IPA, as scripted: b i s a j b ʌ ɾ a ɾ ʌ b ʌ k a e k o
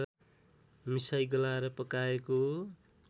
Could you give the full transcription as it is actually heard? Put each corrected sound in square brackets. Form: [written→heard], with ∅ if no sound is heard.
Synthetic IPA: [b→m] i s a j [b→ɡ] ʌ [ɾ→l] a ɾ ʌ [b→p] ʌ k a e k o

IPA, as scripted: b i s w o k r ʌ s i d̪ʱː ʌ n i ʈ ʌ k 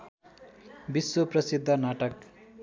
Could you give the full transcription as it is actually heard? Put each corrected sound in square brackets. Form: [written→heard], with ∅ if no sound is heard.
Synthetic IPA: b i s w o [k→p] r ʌ s i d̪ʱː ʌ n [i→a] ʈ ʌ k

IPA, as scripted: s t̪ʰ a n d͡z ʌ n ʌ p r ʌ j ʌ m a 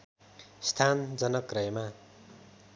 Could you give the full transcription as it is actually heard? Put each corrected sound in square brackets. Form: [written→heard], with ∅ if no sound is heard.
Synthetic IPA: s t̪ʰ a n d͡z ʌ n ʌ [p→k] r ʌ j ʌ m a

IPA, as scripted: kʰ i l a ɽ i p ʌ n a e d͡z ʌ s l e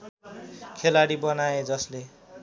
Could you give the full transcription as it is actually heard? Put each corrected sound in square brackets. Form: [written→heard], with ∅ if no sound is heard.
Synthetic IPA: kʰ [i→e] l a ɽ i [p→b] ʌ n a e d͡z ʌ s l e

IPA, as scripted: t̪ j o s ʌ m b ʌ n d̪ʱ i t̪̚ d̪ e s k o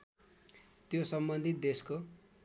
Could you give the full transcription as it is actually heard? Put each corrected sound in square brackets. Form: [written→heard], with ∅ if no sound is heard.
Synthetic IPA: t̪ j o s ʌ m b ʌ n d̪ʱ i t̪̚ d̪ e s k o

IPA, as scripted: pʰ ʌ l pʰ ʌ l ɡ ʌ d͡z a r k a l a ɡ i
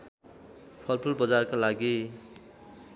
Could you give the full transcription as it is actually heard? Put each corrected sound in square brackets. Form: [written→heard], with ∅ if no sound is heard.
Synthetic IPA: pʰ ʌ l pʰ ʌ l [ɡ→b] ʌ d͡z a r k a l a ɡ i

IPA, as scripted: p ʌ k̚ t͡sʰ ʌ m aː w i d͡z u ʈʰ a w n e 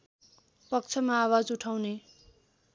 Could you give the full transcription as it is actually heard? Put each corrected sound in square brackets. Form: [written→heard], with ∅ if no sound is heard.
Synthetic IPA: p ʌ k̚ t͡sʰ ʌ m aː w [i→a] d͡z u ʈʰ a w n e

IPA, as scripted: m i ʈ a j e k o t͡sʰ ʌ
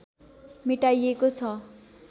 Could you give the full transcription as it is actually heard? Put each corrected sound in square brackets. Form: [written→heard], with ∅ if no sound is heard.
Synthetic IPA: m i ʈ a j e k o t͡sʰ ʌ

